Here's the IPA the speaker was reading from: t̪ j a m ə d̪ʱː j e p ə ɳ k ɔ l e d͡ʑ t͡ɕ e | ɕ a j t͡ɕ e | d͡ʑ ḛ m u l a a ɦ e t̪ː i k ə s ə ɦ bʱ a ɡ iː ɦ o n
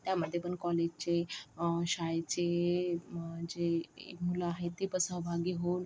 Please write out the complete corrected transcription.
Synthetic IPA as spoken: t̪ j a m ə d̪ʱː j e p ə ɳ k ɔ l e d͡ʑ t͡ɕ e | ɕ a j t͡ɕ e | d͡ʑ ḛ m u l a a ɦ e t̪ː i p ə s ə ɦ bʱ a ɡ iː ɦ o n